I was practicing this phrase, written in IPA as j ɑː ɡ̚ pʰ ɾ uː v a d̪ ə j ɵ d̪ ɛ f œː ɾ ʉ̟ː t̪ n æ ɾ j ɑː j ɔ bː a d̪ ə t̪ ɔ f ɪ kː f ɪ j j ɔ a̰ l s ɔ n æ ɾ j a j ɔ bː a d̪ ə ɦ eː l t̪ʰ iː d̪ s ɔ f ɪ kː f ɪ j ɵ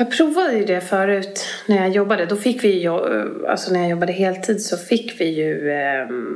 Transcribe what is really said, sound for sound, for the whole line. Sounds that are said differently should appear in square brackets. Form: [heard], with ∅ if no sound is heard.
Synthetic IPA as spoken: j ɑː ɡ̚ pʰ ɾ uː v a d̪ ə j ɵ d̪ ɛ f œː ɾ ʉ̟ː t̪ n æ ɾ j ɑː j ɔ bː a d̪ ə [d̪] ɔ f ɪ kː [v] ɪ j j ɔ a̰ l s ɔ n æ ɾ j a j ɔ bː a d̪ ə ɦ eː l t̪ʰ iː d̪ s ɔ f ɪ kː [v] ɪ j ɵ